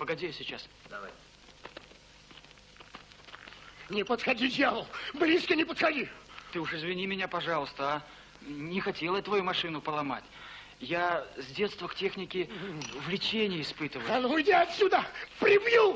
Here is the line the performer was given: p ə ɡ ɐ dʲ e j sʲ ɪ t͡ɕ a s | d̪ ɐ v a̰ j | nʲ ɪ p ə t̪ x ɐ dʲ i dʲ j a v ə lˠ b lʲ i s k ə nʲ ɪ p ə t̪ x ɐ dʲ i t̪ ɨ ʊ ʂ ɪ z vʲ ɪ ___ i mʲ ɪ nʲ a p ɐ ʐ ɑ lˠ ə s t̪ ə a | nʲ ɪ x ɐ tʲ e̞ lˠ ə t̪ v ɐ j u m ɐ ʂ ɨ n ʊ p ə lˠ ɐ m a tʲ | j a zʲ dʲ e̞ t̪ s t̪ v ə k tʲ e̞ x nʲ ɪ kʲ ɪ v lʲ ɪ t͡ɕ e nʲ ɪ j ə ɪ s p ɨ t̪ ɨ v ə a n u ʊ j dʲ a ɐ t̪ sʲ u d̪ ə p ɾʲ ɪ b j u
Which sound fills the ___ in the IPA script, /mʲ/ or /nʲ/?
nʲ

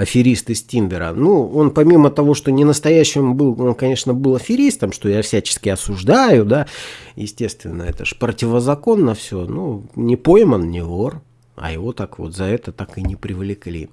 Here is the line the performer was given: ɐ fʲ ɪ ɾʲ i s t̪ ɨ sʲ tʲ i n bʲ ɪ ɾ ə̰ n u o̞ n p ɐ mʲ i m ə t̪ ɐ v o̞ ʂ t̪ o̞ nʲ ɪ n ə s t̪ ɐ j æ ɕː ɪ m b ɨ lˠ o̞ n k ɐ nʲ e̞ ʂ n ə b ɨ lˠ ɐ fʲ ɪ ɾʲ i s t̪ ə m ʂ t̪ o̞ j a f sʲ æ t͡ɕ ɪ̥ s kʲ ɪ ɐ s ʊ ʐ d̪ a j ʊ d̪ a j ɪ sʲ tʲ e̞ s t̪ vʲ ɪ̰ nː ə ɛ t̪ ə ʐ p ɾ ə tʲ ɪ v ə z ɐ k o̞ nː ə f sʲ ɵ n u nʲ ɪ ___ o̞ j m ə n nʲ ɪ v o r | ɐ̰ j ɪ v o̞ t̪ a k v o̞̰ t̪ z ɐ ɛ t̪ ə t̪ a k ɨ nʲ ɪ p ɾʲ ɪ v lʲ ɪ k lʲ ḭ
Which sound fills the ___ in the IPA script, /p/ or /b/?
p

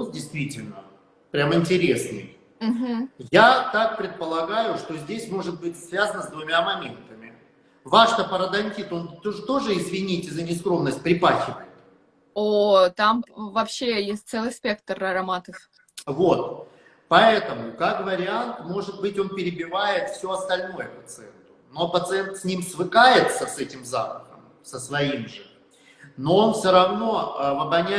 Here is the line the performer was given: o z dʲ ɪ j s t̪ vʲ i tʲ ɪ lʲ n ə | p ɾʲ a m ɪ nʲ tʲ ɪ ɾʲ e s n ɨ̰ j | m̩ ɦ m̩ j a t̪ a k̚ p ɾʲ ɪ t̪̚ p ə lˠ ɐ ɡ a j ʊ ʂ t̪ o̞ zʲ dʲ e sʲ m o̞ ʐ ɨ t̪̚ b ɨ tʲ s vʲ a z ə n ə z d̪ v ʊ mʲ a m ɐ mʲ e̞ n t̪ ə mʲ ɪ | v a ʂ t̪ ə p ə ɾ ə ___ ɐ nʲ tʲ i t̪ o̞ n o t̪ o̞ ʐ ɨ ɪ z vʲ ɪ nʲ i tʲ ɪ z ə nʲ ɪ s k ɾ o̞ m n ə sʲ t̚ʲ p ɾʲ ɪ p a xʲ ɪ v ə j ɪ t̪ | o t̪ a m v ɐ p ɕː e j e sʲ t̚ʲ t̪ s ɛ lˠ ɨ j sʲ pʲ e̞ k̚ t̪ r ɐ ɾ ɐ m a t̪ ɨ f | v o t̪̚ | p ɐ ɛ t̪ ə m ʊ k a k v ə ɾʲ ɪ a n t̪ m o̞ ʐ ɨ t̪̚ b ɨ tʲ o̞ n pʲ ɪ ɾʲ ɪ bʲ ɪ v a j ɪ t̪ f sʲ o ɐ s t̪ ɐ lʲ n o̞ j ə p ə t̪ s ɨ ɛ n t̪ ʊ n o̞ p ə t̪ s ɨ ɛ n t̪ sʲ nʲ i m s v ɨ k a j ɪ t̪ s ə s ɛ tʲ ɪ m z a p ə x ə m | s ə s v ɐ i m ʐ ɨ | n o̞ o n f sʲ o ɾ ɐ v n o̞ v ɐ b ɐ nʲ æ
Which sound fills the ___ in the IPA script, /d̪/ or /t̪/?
d̪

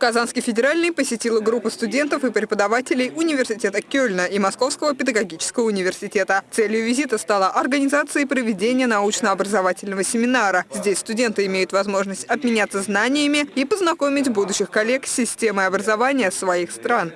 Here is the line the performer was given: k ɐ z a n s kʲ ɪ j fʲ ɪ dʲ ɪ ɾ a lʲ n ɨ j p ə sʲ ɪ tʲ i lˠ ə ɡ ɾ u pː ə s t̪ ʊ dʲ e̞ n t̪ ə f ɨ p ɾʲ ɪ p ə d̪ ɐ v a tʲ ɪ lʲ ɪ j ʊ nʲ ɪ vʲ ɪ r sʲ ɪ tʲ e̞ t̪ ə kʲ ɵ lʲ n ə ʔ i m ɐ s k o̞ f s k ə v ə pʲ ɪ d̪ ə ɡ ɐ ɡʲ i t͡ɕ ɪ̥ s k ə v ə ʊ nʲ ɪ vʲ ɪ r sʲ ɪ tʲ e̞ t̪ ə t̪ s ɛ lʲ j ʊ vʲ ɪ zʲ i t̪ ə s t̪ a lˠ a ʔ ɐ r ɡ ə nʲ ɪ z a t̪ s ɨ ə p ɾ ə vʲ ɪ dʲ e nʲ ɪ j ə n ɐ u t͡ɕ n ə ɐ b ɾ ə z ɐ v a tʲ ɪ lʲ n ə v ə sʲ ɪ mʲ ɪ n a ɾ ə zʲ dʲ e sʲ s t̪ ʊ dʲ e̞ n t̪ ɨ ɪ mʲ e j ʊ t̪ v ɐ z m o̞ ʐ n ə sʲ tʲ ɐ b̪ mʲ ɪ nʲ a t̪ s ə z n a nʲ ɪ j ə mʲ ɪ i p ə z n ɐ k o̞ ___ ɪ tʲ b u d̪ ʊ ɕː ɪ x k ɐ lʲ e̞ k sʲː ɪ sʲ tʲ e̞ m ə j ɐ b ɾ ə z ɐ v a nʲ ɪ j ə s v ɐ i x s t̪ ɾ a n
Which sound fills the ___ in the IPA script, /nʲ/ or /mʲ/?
mʲ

